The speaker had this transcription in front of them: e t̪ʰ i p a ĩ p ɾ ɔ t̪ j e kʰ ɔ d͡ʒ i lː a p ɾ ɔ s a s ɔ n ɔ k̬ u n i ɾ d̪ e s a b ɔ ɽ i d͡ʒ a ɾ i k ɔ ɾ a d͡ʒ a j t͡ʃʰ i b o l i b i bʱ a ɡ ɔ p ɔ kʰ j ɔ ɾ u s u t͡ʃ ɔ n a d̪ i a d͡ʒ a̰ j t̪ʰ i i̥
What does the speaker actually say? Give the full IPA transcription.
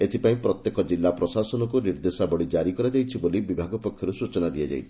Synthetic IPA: e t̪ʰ i p a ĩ p ɾ ɔ t̪ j e k ɔ d͡ʒ i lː a p ɾ ɔ s a s ɔ n ɔ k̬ u n i ɾ d̪ e s a b ɔ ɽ i d͡ʒ a ɾ i k ɔ ɾ a d͡ʒ a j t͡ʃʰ i b o l i b i bʱ a ɡ ɔ p ɔ kʰ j ɔ ɾ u s u t͡ʃ ɔ n a d̪ i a d͡ʒ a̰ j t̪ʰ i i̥